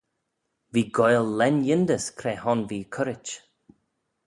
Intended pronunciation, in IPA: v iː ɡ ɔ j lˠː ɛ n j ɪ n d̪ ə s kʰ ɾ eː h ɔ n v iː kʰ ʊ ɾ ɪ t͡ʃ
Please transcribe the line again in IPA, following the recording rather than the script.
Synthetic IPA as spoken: v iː ɡ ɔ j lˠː ɛ n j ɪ n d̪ ə s kʰ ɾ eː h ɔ n v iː kʰ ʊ ɾ ɪ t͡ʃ